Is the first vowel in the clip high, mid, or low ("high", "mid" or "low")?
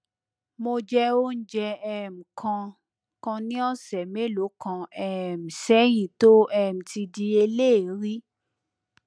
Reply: mid